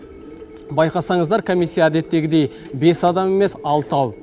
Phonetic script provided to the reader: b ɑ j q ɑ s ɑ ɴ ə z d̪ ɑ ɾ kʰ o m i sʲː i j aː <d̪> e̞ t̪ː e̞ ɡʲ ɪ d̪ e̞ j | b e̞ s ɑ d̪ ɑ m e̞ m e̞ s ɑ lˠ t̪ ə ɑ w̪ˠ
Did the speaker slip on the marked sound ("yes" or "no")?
no